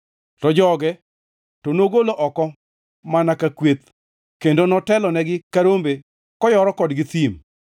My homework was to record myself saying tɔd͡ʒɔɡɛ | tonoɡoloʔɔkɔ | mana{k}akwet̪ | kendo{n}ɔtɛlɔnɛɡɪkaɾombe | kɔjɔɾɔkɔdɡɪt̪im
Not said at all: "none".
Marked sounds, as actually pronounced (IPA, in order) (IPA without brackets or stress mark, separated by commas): k, n